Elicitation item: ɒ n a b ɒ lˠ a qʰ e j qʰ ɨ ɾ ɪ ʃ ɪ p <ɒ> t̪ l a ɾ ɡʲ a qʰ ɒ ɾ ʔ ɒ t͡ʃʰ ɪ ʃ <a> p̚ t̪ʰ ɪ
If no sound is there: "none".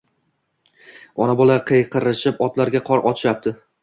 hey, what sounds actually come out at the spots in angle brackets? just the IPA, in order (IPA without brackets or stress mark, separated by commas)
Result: ɒ, a